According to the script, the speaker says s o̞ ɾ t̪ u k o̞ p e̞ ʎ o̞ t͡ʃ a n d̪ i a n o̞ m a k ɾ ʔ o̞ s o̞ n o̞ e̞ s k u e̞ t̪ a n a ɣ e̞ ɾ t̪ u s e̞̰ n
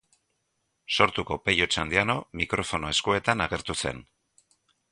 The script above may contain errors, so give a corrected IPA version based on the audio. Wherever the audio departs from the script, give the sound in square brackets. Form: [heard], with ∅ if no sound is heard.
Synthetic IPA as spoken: s o̞ ɾ t̪ u k o̞ p e̞ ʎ o̞ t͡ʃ a n d̪ i a n o̞ m [i] k ɾ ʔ o̞ [f] o̞ n o̞ e̞ s k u e̞ t̪ a n a ɣ e̞ ɾ t̪ u s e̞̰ n